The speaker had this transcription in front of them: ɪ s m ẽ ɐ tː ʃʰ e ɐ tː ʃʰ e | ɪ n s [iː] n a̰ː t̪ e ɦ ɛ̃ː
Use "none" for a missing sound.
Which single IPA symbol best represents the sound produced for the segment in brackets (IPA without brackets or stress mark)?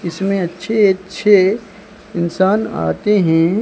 aː